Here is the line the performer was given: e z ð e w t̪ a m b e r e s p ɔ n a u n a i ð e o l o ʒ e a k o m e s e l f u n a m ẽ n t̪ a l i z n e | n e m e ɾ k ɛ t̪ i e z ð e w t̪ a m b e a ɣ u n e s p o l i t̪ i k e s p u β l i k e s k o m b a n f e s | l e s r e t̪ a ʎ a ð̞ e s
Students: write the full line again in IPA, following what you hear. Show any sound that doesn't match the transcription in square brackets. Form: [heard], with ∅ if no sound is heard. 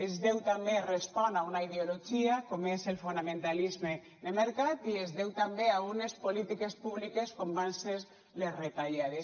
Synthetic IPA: e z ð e w t̪ a m b e r e s p ɔ n a u n a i ð e o l o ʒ [i] a k o m e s e l f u n a m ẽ n t̪ a l i z [m] e | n e m e ɾ k [a] t̪ i e z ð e w t̪ a m b e a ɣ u n e s p o l i t̪ i k e s p u β l i k e s k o m b a n [s] e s | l e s r e t̪ a ʎ a ð̞ e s